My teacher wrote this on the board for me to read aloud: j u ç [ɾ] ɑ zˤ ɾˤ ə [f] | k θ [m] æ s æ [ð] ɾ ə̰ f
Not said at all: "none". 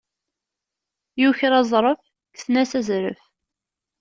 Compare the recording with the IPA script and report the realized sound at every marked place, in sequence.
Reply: ɾ, f, n, z

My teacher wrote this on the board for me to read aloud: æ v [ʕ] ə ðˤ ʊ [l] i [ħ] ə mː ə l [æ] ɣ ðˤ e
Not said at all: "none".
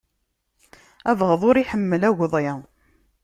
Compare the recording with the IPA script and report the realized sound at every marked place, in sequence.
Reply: ʁ, ɾ, ħ, æ

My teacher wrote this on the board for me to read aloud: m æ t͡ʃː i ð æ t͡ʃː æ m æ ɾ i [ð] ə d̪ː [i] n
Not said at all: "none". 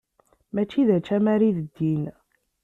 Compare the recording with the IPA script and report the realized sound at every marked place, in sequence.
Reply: ð, i

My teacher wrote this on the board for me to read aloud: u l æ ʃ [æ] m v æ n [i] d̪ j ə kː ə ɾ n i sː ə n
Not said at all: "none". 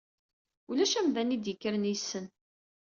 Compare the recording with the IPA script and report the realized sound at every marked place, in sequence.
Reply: æ, i

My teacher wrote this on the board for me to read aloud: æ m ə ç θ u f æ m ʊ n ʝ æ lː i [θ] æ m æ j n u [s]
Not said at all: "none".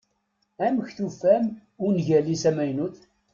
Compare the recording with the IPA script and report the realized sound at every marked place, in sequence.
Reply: s, θ

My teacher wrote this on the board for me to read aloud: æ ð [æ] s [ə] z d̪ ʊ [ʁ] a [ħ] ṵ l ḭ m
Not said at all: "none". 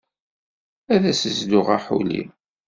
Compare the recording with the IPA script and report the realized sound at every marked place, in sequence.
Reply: æ, ə, ʁ, ħ

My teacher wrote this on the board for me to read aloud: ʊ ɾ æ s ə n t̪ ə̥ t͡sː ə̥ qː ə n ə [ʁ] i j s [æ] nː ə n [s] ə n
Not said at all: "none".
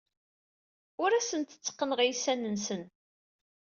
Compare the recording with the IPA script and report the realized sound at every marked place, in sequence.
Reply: ʁ, æ, s

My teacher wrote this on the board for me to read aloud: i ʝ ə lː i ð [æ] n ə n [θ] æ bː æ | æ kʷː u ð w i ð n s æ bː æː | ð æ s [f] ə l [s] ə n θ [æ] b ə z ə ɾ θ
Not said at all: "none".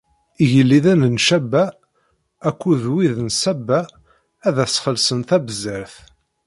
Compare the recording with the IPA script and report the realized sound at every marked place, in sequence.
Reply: æ, ʃ, χ, s, æ

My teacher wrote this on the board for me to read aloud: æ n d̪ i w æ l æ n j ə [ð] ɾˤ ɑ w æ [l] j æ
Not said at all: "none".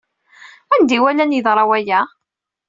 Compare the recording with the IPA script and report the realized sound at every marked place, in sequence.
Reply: ð, none

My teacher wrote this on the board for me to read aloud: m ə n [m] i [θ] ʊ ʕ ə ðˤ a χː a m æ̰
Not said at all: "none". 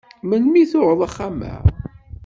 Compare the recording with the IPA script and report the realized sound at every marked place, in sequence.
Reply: m, θ

